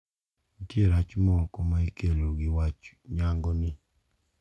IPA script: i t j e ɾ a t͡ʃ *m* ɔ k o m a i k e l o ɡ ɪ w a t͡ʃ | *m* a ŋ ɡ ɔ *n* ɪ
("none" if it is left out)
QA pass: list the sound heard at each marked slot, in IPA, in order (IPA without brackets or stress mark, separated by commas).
m, ɲ, n